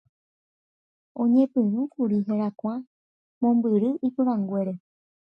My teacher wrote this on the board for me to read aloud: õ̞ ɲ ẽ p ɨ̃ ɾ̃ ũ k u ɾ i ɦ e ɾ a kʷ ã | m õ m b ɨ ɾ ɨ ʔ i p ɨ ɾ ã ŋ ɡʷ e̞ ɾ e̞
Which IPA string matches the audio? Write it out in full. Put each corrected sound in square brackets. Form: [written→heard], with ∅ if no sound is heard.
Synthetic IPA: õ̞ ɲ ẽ p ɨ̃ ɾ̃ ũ k u ɾ i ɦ e ɾ a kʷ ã | m õ m b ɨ ɾ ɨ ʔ i p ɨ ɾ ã ŋ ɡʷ e̞ ɾ e̞